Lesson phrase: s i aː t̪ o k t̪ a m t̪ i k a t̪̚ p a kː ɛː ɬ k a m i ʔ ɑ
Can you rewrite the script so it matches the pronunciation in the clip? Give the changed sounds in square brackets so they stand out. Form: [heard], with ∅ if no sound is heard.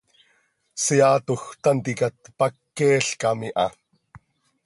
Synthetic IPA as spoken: s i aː t̪ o [x] t̪ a [n] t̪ i k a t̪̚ p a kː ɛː ɬ k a m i ʔ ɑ